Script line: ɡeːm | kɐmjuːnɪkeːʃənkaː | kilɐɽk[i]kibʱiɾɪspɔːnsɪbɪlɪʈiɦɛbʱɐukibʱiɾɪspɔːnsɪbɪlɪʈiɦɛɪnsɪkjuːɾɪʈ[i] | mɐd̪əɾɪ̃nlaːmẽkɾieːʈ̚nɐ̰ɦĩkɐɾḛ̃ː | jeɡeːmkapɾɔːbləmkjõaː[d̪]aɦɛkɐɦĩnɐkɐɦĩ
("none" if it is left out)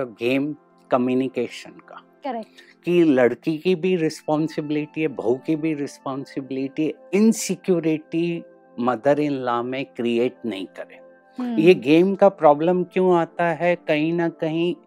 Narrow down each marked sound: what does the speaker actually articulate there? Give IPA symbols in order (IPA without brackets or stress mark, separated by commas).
i, i, t̪